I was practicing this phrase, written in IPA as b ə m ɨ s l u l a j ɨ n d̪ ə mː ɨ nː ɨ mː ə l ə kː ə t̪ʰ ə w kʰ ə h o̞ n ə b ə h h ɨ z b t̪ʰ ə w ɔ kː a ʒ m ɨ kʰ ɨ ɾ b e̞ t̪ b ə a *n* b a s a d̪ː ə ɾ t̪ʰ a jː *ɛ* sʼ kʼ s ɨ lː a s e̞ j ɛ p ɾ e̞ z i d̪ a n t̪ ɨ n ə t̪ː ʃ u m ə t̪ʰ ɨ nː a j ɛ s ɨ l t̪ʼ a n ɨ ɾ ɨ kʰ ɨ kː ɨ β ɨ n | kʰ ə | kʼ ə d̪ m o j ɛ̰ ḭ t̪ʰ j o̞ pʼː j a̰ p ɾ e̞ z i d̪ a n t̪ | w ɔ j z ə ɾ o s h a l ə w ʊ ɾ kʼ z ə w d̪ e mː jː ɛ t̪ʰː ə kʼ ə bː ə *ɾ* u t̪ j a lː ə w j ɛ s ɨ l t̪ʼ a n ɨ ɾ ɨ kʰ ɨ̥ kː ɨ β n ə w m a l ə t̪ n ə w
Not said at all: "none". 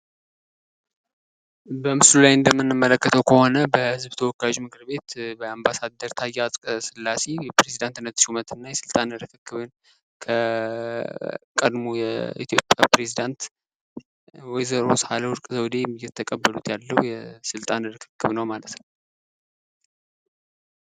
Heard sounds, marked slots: m, a, l

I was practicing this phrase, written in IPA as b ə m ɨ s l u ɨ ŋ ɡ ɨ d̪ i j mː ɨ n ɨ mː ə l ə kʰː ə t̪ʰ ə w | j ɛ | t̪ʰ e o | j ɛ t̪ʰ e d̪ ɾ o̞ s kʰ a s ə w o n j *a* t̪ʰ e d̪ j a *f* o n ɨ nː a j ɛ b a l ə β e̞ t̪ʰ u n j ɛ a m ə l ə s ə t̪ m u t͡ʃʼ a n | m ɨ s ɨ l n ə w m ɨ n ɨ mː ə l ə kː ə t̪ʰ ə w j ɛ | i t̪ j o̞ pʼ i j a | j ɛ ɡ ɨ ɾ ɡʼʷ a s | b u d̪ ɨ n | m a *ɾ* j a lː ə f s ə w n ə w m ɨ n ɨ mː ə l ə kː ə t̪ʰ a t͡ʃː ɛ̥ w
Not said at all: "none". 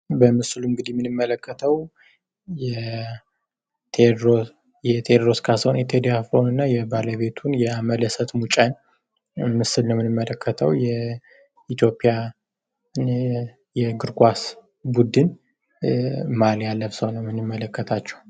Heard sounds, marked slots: ɛ, f, l

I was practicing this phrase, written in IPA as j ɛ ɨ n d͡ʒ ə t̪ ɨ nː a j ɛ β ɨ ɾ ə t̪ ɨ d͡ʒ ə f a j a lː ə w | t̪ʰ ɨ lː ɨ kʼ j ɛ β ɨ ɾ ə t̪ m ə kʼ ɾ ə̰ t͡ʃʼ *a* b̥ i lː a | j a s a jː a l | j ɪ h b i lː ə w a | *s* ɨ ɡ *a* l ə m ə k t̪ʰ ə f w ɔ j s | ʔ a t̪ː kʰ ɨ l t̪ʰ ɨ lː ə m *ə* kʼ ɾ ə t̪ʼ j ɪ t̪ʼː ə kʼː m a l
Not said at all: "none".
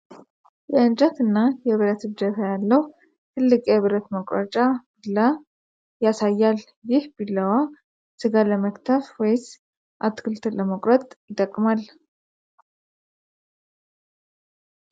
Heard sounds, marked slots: a, s, a, ə

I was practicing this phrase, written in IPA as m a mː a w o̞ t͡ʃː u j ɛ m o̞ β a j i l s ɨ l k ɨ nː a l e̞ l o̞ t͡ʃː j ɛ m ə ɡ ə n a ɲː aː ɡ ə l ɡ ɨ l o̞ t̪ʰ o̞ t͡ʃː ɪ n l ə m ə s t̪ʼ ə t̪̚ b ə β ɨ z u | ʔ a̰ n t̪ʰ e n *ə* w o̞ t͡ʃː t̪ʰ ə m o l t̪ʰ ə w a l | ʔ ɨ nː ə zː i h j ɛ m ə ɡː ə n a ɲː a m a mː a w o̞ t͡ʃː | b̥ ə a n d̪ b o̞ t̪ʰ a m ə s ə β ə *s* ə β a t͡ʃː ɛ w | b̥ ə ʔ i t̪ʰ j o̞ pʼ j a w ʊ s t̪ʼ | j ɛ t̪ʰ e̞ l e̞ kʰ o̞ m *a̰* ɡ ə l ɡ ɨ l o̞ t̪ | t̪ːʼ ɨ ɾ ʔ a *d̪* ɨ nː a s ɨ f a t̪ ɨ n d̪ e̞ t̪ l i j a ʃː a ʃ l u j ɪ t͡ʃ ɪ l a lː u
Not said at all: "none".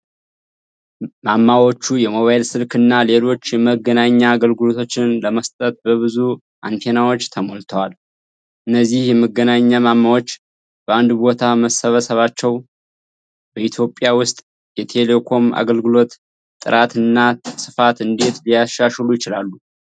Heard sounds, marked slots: a, s, a̰, t̪

